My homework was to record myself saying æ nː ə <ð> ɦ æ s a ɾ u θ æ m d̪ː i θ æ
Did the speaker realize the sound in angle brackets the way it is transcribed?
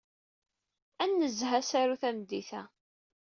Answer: no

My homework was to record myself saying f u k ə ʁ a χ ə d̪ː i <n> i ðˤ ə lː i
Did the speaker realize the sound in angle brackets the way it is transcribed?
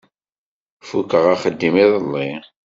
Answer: no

